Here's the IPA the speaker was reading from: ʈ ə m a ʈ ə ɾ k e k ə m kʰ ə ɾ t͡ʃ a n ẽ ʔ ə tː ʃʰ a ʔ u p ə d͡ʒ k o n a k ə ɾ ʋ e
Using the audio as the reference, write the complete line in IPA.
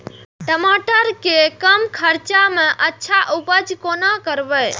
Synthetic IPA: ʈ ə m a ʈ ə ɾ k e k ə m kʰ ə ɾ t͡ʃ a m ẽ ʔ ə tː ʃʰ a ʔ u p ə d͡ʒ k o n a k ə ɾ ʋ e